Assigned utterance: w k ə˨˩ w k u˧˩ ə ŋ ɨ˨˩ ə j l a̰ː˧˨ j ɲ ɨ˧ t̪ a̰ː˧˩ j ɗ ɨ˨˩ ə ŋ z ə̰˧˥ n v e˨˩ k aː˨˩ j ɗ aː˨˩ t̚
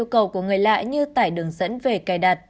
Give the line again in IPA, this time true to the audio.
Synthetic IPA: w k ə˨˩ w k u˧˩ ə ŋ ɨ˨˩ ə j l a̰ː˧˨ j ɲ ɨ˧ t̪ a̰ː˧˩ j ɗ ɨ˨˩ ə ŋ z ə̰˧˥ n v e˨˩ k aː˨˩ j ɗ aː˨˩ t̚